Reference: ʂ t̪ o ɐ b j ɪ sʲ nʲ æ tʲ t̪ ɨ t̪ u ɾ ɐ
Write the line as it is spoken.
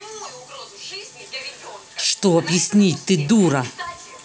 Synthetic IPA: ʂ t̪ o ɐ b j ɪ sʲ nʲ i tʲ t̪ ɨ d̪ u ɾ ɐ